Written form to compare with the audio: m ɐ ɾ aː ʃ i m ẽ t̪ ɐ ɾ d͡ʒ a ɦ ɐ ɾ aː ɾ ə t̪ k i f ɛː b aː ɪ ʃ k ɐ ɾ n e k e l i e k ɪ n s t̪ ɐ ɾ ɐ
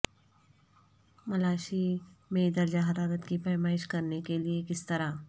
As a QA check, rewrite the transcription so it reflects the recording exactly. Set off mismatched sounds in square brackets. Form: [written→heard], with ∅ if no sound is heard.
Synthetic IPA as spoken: m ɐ [ɾ→l] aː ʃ i m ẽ [t̪→d̪] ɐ ɾ d͡ʒ a ɦ ɐ ɾ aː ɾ ə t̪ k i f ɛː [b→m] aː ɪ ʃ k ɐ ɾ n e k e l i e k ɪ [n→∅] s t̪ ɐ ɾ [ɐ→a]